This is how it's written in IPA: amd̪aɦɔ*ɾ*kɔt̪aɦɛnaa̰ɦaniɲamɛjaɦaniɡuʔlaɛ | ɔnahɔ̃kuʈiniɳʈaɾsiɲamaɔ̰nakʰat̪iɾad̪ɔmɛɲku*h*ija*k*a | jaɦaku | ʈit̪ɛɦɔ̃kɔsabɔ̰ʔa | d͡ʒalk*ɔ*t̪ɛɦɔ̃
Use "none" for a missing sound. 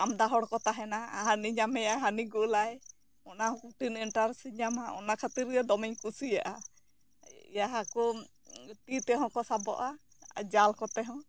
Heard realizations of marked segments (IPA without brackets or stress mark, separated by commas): ɽ, s, ʔ, ɔ